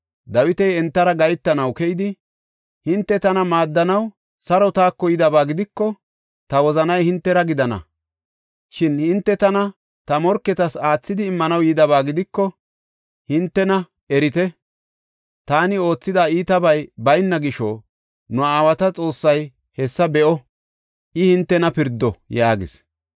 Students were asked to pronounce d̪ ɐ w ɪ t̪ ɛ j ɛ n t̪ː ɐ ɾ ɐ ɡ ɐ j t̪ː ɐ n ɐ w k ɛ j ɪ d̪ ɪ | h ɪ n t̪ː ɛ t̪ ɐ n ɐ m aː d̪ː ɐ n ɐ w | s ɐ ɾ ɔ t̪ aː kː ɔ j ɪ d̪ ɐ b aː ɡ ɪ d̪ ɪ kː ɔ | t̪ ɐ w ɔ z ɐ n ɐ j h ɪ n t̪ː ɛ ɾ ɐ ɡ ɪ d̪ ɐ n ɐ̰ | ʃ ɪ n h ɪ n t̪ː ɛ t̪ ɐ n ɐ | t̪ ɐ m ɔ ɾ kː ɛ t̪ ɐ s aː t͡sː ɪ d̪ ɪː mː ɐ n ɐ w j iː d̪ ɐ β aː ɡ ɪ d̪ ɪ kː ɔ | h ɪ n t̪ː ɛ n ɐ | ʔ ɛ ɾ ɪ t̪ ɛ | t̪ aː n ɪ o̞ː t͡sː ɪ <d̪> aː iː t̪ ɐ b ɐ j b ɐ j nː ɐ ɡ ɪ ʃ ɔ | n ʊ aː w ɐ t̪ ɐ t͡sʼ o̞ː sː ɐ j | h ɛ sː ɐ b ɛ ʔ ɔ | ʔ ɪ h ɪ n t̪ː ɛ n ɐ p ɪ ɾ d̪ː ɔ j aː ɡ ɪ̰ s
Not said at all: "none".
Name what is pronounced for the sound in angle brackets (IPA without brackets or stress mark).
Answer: d̪